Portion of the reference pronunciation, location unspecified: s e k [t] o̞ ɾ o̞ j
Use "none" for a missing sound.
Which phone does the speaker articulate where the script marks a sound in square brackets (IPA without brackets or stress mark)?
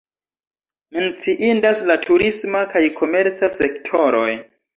tʰ